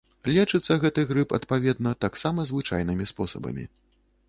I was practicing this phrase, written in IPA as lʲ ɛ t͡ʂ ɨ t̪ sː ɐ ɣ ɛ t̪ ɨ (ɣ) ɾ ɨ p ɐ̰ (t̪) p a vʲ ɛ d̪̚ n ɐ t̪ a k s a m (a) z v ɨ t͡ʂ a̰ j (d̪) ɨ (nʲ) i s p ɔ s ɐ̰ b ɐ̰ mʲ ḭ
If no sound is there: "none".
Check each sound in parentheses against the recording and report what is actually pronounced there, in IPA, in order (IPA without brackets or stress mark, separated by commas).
ɣ, t̪, ɐ, n̪, mʲ